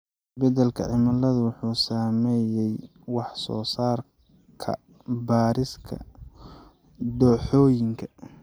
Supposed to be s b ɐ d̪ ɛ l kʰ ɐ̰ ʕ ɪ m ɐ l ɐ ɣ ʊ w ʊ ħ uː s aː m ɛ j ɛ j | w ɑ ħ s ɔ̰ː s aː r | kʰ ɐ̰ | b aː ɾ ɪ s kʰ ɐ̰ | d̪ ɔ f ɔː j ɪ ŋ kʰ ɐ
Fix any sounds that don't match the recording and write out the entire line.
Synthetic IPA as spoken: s b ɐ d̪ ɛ l kʰ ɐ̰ ʕ ɪ m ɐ l ɐ ð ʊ w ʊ ħ uː s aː m ɛ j ɛ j | w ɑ ħ s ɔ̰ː s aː r | kʰ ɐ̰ | b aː ɾ ɪ s kʰ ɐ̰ | d̪ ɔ ħ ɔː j ɪ ŋ kʰ ɐ

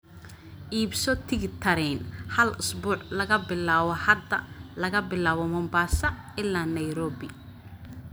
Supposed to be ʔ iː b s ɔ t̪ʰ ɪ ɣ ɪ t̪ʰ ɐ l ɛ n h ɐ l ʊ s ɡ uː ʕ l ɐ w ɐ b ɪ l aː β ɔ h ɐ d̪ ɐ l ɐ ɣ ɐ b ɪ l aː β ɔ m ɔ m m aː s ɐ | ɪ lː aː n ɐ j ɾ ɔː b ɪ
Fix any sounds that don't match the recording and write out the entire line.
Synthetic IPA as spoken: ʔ iː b s ɔ t̪ʰ ɪ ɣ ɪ t̪ʰ ɐ ɾ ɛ n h ɐ l ʊ s b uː ʕ l ɐ ɣ ɐ b ɪ l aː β ɔ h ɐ d̪ ɐ l ɐ ɣ ɐ b ɪ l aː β ɔ m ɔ m b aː s ɐ | ɪ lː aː n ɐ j ɾ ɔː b ɪ

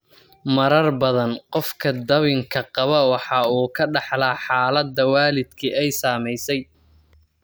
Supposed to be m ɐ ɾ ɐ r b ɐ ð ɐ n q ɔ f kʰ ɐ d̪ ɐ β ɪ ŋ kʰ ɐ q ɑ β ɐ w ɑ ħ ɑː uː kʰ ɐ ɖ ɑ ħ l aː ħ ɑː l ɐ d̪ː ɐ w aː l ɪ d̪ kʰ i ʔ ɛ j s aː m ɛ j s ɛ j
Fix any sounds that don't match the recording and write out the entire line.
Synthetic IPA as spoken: m ɐ ɾ ɐ r b ɐ ð ɐ n q ɔ f kʰ ɐ d̪ ɐ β ɪ ŋ kʰ ɐ q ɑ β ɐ w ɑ ħ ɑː uː kʰ ɐ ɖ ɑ ħ l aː ħ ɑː l ɐ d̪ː ɐ w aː l ɪ d̪ kʰ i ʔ ɛ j s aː m ɛ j s ɛ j

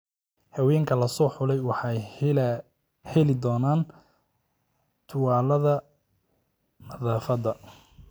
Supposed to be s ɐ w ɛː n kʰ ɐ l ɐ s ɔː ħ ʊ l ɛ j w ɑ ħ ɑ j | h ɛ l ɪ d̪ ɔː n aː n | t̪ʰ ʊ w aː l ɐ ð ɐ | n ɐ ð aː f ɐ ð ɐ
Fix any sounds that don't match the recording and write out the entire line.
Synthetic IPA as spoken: h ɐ w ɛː ŋ kʰ ɐ l ɐ s ɔː ħ ʊ l ɛ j w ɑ ħ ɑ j | h ɛ l ɪ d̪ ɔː n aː n | t̪ʰ ʊ w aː l ɐ ð ɐ | n ɐ ð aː f ɐ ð ɐ

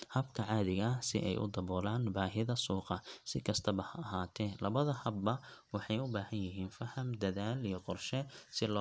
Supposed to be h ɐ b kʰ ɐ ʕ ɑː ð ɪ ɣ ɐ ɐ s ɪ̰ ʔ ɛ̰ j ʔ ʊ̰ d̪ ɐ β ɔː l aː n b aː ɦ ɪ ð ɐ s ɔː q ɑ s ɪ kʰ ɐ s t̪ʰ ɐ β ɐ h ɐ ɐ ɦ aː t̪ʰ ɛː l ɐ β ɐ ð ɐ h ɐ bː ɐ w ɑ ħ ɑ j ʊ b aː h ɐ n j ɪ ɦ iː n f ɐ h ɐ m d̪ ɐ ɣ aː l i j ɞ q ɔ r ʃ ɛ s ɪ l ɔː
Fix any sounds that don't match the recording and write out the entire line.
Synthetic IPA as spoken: h ɐ b kʰ ɐ ʕ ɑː ð ɪ ɣ ɐ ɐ s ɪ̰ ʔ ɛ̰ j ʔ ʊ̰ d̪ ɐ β ɔː l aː n b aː ɦ ɪ ð ɐ s uː q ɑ s ɪ kʰ ɐ s t̪ʰ ɐ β ɐ h ɐ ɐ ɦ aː t̪ʰ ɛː l ɐ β ɐ ð ɐ h ɐ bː ɐ w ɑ ħ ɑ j ʊ b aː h ɐ n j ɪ ɦ iː n f ɐ h ɐ m d̪ ɐ ð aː l i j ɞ q ɔ r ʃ ɛ s ɪ l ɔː

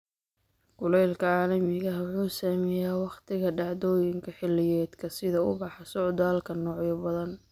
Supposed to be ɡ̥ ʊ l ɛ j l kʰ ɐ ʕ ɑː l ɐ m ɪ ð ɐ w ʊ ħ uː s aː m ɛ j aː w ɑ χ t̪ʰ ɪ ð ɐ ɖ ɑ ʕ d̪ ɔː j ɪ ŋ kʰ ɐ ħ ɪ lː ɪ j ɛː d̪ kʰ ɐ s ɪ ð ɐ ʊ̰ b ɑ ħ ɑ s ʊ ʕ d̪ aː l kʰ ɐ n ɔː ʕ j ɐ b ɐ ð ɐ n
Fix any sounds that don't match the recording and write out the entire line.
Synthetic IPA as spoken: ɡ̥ ʊ l ɛ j l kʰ ɐ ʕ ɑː l ɐ m ɪ ɣ ɐ w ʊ ħ uː s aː m ɛ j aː w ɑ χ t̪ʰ ɪ ɣ ɐ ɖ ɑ ʕ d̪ ɔː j ɪ ŋ kʰ ɐ ħ ɪ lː ɪ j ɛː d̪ kʰ ɐ s ɪ ð ɐ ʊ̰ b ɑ ħ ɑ s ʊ ʕ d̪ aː l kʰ ɐ n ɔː ʕ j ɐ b ɐ ð ɐ n

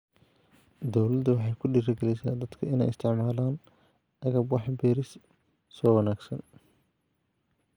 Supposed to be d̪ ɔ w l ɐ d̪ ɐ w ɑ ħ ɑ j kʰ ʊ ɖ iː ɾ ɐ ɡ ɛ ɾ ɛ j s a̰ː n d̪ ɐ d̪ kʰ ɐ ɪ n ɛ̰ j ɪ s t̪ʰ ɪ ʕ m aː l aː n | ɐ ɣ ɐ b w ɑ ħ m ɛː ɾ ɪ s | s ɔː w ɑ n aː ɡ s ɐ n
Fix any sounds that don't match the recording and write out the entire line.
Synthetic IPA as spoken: d̪ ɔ w l ɐ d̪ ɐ w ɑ ħ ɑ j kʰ ʊ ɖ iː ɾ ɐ ɡ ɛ l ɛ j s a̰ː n d̪ ɐ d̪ kʰ ɐ ɪ n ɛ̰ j ɪ s t̪ʰ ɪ ʕ m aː l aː n | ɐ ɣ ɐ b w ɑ ħ b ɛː ɾ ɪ s | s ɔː w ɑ n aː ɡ s ɐ n

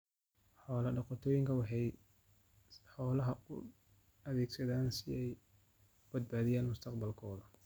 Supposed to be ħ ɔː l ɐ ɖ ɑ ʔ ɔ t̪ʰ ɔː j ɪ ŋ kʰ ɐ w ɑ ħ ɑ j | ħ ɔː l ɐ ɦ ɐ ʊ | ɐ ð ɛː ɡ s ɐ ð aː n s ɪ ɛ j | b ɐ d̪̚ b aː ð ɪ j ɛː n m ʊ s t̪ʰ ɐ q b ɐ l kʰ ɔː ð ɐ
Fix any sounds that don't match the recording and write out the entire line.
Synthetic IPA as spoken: ħ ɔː l ɐ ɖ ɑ q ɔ t̪ʰ ɔː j ɪ ŋ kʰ ɐ w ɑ ħ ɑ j | ħ ɔː l ɐ ɦ ɐ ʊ | ɐ ð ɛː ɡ s ɐ ð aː n s ɪ ɛ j | b ɐ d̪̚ b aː ð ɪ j aː n m ʊ s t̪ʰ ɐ q b ɐ l kʰ ɔː ð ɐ

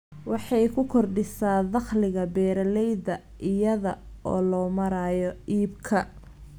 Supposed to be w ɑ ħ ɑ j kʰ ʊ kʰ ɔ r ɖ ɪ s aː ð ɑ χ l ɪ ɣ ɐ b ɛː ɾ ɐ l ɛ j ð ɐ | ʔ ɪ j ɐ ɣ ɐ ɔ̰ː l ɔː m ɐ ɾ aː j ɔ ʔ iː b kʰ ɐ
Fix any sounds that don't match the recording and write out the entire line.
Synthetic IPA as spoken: w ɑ ħ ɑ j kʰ ʊ kʰ ɔ r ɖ ɪ s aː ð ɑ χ l ɪ ɣ ɐ b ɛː ɾ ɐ l ɛ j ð ɐ | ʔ ɪ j ɐ ð ɐ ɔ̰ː l ɔː m ɐ ɾ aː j ɔ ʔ iː b kʰ ɐ

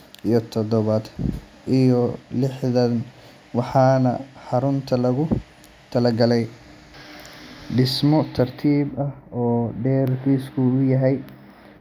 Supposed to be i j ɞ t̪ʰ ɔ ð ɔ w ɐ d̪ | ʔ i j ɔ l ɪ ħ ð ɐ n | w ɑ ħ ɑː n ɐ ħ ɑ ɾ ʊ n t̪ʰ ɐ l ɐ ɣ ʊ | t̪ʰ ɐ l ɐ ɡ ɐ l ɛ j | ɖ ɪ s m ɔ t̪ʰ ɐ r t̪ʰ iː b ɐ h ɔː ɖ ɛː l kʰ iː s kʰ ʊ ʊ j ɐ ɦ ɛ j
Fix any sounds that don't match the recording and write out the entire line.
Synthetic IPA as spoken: i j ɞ t̪ʰ ɔ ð ɔ β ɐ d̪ | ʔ i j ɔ l ɪ ħ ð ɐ n | w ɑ ħ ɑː n ɐ ħ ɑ ɾ ʊ n t̪ʰ ɐ l ɐ ɣ ʊ | t̪ʰ ɐ l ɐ ɡ ɐ l ɛ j | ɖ ɪ s m ɔ t̪ʰ ɐ r t̪ʰ iː b ɐ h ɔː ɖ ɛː r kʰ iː s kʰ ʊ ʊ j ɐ ɦ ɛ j

